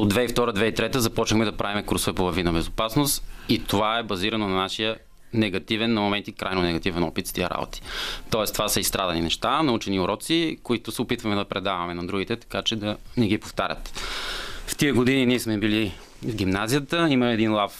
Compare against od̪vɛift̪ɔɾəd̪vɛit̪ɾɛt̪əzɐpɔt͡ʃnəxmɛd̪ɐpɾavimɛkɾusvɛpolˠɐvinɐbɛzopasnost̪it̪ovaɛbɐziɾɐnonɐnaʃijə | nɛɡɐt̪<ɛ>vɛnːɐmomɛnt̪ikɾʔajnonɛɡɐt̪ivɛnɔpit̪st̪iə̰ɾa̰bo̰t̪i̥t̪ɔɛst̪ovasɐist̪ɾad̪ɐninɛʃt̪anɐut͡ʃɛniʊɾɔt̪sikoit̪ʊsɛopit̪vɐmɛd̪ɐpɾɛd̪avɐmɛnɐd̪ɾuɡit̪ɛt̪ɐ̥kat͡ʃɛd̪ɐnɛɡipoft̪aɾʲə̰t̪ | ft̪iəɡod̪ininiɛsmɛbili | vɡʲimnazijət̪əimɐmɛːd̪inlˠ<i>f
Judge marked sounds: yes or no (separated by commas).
no, no